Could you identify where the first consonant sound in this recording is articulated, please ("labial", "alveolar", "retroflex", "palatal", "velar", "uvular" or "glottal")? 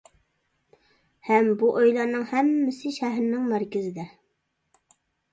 glottal